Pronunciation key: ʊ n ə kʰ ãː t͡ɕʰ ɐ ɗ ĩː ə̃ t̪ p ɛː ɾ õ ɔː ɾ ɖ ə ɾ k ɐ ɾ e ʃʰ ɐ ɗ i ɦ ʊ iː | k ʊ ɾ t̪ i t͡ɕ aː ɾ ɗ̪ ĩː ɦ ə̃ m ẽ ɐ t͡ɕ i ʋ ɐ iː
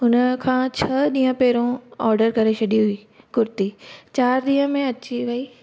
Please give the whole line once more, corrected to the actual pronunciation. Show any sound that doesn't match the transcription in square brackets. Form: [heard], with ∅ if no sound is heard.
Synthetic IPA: ʊ n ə kʰ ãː t͡ɕʰ ɐ ɗ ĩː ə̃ [∅] p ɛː ɾ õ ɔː ɾ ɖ ə ɾ k ɐ ɾ e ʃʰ ɐ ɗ i ɦ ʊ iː | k ʊ ɾ t̪ i t͡ɕ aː ɾ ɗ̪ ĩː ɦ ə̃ m ẽ ɐ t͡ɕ i ʋ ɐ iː